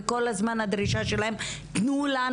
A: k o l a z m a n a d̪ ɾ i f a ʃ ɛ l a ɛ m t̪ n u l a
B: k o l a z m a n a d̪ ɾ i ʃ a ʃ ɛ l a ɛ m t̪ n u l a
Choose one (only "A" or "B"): B